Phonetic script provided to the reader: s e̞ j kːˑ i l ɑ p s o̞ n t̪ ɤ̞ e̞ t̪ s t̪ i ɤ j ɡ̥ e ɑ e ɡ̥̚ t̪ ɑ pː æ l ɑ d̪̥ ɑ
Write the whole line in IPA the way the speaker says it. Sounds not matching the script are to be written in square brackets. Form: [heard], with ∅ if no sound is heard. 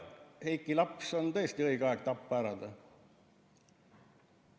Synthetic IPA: [h] e̞ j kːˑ i l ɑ p s o̞ n t̪ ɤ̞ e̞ [∅] s t̪ i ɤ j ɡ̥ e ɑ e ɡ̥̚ t̪ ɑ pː æ [ɾ] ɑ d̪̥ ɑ